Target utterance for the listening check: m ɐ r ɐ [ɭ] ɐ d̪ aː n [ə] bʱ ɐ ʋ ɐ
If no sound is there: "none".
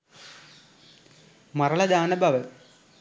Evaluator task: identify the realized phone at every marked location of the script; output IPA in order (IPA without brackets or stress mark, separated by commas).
ɭ, ɐ